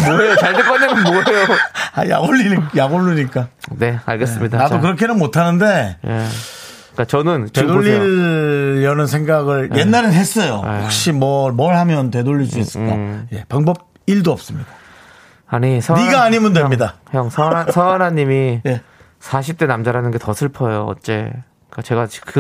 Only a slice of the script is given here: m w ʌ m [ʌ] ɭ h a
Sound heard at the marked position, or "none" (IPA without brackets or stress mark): ʌ